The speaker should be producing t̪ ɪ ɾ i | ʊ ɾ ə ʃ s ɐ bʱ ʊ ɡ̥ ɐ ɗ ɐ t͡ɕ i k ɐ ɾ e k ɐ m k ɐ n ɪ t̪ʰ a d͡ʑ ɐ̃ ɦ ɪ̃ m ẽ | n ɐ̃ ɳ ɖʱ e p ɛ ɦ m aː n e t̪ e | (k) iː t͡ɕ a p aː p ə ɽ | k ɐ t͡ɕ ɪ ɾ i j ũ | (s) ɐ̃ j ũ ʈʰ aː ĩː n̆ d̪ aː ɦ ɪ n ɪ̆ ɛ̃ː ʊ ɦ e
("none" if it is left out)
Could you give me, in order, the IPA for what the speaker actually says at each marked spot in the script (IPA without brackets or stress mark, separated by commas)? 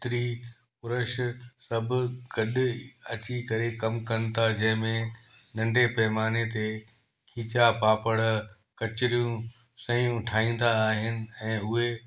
kʰ, s